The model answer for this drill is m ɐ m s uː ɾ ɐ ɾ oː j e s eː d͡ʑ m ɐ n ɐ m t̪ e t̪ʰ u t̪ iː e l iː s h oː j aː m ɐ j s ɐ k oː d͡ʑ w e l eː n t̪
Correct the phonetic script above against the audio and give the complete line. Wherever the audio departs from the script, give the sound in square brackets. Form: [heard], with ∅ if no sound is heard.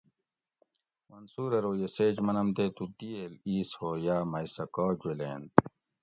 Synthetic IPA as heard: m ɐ [n] s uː ɾ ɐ ɾ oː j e s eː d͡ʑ m ɐ n ɐ m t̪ e [t̪] u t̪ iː e l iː s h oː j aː m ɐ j s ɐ k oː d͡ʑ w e l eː n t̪